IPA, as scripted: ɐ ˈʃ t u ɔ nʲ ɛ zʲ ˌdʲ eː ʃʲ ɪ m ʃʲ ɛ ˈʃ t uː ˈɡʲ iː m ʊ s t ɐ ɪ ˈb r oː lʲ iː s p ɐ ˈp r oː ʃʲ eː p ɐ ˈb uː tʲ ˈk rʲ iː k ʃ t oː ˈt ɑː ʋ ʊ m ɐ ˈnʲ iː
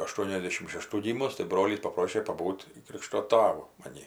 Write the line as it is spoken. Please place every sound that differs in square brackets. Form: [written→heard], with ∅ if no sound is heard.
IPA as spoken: ɐ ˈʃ t u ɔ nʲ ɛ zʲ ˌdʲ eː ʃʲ ɪ m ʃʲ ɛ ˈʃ t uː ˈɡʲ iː m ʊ s t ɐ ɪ ˈb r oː lʲ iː s p ɐ ˈp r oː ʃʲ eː p ɐ ˈb uː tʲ ˈk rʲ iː k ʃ t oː ˈt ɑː ʋ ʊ m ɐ ˈnʲ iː